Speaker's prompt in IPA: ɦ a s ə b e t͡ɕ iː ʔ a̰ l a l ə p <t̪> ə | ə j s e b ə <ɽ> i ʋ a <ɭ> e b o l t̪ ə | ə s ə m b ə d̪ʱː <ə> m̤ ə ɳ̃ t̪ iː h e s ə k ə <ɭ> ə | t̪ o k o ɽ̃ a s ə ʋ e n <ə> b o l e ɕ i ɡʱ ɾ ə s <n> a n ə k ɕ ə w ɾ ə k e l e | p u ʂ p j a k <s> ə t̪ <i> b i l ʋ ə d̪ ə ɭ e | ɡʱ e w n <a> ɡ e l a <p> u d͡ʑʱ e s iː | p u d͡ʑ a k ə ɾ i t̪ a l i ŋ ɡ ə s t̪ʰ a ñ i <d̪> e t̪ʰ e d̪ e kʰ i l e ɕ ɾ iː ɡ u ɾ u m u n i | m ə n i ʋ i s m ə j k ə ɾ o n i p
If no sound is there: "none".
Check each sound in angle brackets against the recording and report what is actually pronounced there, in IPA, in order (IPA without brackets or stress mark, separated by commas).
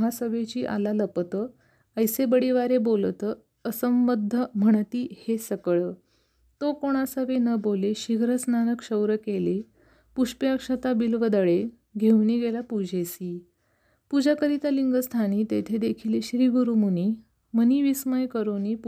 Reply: t̪, ɽ, ɾ, ə, ɭ, ə, n, ʂ, a, i, p, t̪